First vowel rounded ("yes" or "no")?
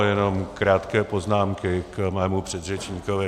no